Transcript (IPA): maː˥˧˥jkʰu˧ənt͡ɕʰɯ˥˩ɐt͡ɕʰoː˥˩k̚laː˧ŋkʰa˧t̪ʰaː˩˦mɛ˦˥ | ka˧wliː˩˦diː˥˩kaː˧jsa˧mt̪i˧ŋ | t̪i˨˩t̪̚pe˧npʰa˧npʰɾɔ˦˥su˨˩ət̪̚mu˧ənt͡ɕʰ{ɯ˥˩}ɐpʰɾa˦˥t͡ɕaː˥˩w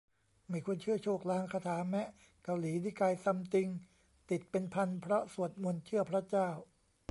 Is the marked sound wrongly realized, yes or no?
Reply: no